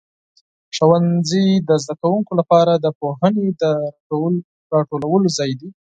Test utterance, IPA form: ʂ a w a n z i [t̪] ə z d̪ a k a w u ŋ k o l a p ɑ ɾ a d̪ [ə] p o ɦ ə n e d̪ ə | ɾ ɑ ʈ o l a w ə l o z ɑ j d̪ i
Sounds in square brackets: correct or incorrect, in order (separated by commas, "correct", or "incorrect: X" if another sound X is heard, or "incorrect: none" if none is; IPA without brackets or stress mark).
incorrect: d̪, correct